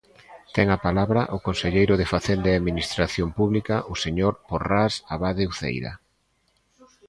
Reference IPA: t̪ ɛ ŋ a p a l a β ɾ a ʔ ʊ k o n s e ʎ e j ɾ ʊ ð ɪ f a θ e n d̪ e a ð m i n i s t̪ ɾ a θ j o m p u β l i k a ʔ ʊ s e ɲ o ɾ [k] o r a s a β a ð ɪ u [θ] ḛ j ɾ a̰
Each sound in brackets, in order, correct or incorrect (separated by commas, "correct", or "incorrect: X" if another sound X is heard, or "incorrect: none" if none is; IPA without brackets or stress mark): incorrect: p, correct